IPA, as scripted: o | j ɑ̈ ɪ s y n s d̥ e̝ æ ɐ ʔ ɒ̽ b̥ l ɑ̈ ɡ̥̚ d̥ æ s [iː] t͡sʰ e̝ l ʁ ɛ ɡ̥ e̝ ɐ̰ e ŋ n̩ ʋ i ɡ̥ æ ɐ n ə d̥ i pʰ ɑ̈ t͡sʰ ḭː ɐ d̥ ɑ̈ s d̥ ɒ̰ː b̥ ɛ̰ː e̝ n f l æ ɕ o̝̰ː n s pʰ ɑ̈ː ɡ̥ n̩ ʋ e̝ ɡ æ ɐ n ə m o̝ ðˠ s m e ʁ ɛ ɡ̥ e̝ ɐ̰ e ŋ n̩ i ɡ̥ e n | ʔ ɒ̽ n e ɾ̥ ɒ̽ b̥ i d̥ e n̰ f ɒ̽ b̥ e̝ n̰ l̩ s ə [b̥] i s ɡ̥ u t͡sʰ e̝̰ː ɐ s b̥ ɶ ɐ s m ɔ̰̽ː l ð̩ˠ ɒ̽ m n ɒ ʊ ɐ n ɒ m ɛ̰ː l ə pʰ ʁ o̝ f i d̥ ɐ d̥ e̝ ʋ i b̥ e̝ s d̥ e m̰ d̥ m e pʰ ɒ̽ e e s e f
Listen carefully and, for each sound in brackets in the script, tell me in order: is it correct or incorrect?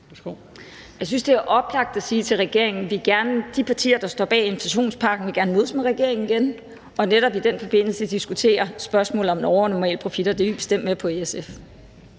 correct, incorrect: d̥

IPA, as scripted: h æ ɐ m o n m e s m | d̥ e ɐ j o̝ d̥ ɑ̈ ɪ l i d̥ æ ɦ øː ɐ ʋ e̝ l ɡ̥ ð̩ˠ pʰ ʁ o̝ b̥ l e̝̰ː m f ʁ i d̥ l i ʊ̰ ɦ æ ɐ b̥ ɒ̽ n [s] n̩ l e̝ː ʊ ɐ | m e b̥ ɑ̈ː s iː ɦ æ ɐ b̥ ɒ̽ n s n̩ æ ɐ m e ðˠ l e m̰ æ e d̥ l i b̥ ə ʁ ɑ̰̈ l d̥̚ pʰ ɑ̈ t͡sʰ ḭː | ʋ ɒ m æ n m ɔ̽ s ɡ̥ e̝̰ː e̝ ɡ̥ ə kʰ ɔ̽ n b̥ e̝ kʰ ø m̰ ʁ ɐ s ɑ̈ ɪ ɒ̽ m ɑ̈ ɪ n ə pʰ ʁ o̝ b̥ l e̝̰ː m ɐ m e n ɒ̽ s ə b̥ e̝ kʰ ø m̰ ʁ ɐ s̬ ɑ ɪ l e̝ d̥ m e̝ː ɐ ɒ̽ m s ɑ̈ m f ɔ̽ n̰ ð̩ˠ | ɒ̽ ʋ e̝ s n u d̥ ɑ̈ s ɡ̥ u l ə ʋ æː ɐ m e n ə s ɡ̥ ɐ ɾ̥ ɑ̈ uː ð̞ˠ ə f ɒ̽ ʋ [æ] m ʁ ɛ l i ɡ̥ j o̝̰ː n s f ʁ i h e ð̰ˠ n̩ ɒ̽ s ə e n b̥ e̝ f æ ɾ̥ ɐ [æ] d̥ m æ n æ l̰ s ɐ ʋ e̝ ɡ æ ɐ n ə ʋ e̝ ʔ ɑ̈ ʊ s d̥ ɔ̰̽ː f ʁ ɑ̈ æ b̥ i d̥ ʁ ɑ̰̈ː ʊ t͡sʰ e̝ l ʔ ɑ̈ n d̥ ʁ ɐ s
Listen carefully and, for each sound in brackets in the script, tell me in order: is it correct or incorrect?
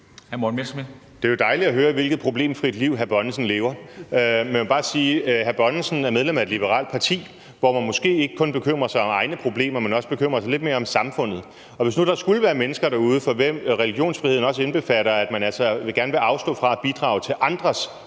correct, incorrect: e, correct

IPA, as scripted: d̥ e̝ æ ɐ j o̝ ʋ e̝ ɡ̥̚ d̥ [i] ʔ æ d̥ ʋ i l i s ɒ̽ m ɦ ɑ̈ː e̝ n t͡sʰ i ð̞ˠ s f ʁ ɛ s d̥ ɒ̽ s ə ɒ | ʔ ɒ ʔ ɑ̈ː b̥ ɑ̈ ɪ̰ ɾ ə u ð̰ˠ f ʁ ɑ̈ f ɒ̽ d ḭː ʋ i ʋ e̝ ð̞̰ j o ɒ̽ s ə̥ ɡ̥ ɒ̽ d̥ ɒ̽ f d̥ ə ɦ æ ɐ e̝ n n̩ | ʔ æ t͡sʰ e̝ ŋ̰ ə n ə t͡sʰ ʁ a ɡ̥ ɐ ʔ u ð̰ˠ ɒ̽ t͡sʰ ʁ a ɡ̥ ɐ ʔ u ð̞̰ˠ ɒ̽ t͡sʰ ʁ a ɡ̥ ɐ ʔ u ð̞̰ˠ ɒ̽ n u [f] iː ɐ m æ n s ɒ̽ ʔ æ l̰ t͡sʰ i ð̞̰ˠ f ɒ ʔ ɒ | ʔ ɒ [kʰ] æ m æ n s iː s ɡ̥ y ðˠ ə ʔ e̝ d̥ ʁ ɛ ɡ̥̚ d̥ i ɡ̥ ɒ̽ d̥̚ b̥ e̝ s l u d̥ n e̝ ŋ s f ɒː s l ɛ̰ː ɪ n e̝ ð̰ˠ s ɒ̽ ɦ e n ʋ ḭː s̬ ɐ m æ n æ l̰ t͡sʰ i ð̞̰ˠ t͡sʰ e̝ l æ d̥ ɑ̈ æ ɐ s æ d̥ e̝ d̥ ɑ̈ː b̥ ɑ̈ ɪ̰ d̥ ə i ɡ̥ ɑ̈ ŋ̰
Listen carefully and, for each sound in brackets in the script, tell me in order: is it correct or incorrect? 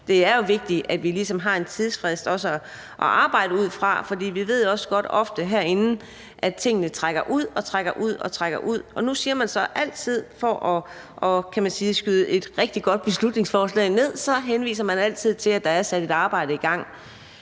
correct, incorrect: s, correct

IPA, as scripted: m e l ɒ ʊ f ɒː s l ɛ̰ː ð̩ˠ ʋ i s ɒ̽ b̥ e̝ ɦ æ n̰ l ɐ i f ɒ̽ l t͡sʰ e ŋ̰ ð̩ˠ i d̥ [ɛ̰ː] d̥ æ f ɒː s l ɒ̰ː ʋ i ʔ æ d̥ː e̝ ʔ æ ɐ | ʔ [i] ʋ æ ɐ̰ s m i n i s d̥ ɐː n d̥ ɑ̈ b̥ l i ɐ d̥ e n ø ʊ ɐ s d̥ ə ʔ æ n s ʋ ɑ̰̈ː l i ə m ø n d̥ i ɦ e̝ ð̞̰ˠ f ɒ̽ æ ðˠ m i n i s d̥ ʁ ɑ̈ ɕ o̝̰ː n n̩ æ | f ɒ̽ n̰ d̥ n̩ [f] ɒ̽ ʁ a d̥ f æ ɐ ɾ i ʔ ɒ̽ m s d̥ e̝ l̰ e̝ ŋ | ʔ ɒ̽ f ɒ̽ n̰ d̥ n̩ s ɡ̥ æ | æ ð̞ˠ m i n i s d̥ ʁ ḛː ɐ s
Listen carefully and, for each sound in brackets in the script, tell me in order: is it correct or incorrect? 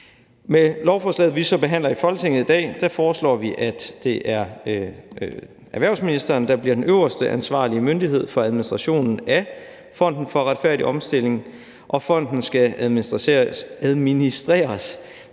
correct, incorrect: æ, correct

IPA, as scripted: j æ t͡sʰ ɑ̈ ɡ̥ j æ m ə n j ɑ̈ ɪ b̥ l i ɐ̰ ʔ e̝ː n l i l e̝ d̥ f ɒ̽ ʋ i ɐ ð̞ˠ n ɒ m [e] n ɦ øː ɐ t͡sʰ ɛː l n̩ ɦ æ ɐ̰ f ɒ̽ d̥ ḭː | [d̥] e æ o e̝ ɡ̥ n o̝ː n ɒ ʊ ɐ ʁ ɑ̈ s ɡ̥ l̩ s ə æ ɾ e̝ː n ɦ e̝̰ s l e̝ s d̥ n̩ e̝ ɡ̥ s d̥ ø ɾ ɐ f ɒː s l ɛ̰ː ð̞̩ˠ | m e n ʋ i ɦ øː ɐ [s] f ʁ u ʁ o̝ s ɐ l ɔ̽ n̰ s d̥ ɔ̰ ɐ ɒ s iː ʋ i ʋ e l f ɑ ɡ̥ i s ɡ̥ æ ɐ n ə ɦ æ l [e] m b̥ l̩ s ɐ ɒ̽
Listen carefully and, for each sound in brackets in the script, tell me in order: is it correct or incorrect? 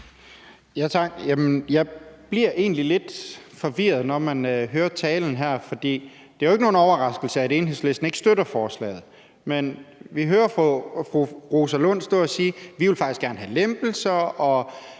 incorrect: æ, correct, incorrect: f, correct

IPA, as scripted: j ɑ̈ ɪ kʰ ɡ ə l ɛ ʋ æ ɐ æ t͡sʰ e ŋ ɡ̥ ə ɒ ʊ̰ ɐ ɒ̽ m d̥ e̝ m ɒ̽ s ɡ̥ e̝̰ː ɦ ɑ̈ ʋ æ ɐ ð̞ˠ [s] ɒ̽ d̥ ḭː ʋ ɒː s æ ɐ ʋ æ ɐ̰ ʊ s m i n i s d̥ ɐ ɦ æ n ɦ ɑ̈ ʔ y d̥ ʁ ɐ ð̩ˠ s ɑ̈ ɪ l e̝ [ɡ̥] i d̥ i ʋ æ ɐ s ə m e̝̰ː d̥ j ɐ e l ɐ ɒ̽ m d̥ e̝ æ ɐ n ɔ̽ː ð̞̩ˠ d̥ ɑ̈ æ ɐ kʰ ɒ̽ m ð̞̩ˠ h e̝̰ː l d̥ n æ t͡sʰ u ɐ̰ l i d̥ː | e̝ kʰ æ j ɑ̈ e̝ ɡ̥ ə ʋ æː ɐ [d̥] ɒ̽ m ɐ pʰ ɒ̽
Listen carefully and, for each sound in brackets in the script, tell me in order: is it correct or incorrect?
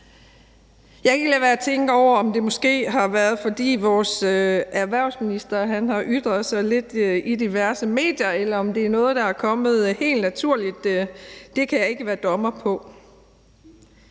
incorrect: f, incorrect: d̥, correct

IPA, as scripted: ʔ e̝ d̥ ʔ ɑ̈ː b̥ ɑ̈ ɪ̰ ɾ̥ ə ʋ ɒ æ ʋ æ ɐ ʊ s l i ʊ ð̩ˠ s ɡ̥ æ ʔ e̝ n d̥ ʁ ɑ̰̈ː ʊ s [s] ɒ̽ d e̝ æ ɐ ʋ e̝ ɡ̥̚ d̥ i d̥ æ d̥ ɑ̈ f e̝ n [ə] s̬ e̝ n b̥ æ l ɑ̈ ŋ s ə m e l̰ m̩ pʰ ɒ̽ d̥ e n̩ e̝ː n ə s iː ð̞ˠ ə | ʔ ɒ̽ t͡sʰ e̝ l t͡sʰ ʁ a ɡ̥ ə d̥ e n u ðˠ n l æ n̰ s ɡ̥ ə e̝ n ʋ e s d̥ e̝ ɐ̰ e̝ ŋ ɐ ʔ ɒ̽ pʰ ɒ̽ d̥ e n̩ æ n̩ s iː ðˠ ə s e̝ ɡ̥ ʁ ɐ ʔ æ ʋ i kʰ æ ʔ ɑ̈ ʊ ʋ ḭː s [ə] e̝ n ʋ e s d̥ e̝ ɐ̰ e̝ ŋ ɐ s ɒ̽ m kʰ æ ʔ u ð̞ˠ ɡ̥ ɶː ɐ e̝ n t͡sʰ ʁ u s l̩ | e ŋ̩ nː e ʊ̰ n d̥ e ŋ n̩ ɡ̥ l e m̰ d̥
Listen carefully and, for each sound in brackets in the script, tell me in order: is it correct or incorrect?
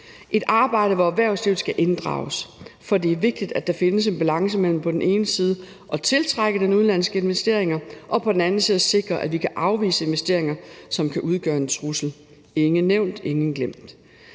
incorrect: f, correct, correct

